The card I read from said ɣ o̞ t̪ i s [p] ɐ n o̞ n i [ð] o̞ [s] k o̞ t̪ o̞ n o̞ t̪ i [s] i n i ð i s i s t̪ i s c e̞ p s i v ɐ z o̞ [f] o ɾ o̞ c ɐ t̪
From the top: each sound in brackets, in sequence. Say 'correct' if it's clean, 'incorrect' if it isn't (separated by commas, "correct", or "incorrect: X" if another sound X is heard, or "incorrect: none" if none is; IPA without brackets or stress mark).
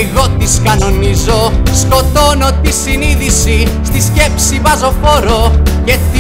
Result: incorrect: k, incorrect: z, correct, correct, correct